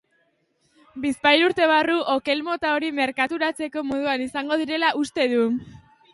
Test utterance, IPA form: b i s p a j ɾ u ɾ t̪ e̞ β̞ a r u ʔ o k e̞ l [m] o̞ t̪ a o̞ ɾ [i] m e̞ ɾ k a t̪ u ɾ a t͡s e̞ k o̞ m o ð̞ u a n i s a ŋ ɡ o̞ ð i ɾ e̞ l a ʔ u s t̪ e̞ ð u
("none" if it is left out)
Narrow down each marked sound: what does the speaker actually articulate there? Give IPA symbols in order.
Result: m, i

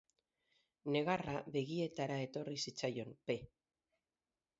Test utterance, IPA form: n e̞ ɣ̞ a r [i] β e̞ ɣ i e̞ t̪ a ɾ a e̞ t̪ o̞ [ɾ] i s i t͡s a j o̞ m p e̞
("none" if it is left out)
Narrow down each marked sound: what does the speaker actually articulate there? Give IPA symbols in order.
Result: a, r

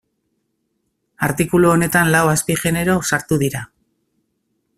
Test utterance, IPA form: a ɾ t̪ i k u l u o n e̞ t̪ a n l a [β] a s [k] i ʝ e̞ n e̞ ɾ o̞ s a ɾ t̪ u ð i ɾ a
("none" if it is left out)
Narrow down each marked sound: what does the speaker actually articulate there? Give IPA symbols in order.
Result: w, p

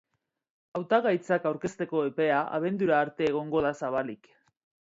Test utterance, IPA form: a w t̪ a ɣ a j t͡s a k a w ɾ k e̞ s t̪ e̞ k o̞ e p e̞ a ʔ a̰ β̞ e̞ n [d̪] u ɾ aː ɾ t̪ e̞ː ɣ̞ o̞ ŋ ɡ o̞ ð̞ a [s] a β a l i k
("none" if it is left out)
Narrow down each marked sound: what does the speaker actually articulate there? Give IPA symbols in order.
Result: d̪, s

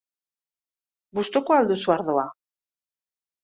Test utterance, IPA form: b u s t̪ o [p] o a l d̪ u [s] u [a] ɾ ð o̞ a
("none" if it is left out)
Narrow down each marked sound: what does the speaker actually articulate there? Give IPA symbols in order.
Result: k, s, a

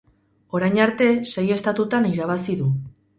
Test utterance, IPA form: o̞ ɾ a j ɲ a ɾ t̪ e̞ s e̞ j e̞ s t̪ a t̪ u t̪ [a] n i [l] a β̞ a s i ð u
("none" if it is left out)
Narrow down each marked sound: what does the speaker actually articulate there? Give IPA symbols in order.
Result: a, ɾ

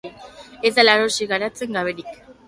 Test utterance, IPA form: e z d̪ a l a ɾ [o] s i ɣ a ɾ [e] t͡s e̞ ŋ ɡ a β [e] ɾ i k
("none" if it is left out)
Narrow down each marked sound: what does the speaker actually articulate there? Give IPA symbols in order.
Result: o, a, e

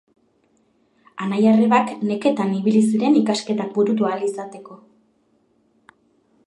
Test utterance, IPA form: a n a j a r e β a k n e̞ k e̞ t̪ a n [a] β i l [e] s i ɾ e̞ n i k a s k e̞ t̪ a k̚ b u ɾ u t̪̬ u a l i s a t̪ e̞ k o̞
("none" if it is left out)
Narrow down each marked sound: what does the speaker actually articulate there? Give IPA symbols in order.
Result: i, i

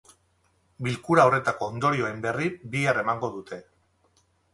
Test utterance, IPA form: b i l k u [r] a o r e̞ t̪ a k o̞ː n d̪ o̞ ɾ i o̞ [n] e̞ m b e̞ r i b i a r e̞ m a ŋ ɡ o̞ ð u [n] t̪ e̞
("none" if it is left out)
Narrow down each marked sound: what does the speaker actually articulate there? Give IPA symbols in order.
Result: ɾ, none, none

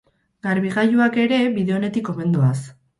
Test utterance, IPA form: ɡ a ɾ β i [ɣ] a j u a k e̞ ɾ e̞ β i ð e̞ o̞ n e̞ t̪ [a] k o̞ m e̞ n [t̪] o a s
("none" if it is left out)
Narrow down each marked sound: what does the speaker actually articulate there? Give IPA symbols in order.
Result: ɣ, i, d̪

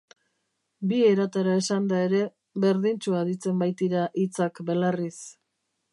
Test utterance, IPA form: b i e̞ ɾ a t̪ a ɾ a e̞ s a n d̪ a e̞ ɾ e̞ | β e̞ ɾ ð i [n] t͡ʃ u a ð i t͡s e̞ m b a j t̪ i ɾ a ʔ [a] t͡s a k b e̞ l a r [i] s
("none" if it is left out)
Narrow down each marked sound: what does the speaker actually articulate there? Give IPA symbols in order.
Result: n, i, i

